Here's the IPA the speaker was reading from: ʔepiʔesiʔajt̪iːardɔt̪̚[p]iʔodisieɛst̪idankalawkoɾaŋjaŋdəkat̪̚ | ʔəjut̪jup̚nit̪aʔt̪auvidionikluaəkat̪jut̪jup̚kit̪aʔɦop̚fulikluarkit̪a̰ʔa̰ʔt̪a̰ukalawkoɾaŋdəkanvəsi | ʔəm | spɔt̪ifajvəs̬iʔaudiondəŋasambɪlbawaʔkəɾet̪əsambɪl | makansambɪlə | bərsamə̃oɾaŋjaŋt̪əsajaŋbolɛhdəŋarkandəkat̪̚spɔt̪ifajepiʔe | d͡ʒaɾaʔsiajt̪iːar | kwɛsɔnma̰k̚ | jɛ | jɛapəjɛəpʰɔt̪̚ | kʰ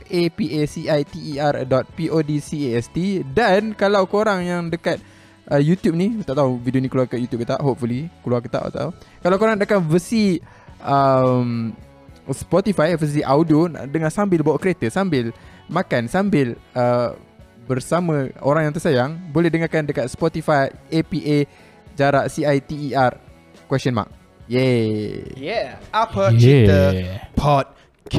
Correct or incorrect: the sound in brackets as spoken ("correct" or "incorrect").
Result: correct